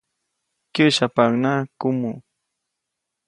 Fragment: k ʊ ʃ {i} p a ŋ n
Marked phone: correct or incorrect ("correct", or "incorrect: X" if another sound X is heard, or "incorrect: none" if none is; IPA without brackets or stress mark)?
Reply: incorrect: a